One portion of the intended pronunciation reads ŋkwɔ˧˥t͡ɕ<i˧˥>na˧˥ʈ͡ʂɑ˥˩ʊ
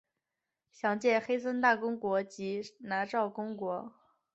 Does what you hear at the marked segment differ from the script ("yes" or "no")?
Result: no